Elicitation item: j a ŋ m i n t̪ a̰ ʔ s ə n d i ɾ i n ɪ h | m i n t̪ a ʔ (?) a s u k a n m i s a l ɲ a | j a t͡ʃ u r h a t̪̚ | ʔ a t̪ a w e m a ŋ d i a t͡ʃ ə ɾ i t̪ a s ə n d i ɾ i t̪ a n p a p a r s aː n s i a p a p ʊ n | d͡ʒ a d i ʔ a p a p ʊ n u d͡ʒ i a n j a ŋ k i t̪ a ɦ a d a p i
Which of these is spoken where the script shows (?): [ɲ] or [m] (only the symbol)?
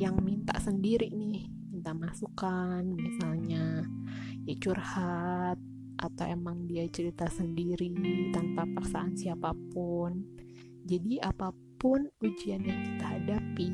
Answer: m